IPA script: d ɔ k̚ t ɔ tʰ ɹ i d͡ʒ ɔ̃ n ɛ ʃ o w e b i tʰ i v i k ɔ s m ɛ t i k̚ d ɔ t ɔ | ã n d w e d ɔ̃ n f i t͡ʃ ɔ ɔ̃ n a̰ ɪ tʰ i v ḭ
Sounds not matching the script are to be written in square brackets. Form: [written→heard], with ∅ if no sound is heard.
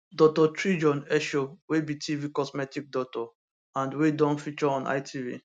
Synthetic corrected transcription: d ɔ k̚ t ɔ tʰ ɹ i d͡ʒ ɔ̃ n ɛ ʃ o w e b i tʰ i v i k ɔ s m ɛ t i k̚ d ɔ t ɔ | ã n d w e d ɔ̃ n f i t͡ʃ ɔ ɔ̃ n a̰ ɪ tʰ i v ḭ